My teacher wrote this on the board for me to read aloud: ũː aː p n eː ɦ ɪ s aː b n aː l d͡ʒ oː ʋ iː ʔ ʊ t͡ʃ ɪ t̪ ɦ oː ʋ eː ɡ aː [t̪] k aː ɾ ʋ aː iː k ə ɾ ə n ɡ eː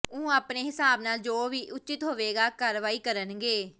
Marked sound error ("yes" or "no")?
yes